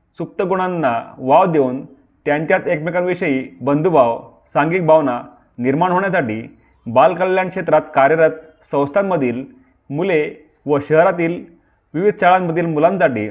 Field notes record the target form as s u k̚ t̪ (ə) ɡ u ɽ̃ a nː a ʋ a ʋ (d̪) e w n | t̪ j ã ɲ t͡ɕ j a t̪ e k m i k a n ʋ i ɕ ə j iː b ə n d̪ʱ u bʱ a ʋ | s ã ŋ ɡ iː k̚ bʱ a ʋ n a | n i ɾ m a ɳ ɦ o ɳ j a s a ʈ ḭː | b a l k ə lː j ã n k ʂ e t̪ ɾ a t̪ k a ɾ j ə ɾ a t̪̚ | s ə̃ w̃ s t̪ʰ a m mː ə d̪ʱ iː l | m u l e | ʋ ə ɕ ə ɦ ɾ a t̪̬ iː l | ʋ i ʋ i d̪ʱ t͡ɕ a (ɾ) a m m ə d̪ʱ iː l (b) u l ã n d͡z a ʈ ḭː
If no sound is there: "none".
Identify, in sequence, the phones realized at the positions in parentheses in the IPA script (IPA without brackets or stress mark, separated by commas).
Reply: ə, d̪, ɭ, m